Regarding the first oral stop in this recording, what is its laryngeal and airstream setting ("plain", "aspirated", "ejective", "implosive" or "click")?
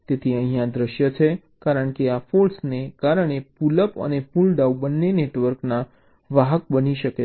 plain